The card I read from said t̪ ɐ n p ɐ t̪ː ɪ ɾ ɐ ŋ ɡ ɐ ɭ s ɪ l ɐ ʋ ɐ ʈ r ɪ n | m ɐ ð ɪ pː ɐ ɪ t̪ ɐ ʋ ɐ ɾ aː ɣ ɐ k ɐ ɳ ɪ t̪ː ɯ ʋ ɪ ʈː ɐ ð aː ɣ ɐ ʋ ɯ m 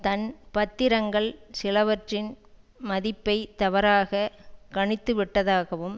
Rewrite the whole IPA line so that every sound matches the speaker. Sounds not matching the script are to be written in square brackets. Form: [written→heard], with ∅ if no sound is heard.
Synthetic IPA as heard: t̪ ɐ n p ɐ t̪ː ɪ ɾ ɐ ŋ ɡ ɐ ɭ s ɪ l ɐ ʋ ɐ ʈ r ɪ n | m ɐ ð ɪ pː ɐ ɪ t̪ ɐ ʋ ɐ ɾ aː ɣ ɐ k ɐ ɳ ɪ t̪ː ɯ ʋ ɪ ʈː ɐ ð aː ɣ ɐ ʋ ɯ m